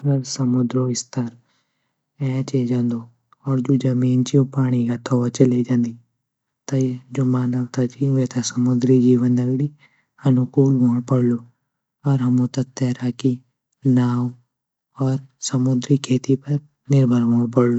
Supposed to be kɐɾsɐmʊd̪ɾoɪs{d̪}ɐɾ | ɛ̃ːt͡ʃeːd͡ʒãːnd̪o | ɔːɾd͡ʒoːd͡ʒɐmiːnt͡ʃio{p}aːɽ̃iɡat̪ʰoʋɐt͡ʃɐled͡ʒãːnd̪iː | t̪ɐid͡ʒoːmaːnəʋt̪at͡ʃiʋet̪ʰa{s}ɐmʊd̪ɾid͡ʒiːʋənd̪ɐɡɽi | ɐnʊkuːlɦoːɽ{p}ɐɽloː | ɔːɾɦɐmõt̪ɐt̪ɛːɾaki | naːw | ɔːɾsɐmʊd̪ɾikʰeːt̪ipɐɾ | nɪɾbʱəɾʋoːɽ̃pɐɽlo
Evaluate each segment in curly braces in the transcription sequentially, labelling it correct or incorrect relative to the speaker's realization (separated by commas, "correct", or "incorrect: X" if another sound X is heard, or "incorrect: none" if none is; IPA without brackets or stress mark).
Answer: incorrect: t̪, correct, correct, correct